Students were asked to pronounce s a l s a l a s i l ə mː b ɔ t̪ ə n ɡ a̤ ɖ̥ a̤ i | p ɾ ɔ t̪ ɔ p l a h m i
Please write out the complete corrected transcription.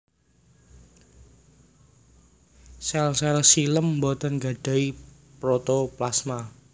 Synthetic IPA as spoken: s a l s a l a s i l ə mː b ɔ t̪ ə n ɡ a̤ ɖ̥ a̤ i | p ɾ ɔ t̪ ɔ p l a s m a